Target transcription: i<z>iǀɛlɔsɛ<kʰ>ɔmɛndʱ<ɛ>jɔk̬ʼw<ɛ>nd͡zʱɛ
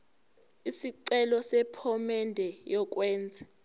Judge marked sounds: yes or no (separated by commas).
no, no, yes, no